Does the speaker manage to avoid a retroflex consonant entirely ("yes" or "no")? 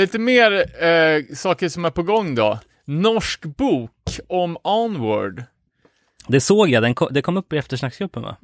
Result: no